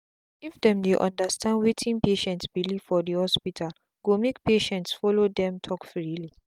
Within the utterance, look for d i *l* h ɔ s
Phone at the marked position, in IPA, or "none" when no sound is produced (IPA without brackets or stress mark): none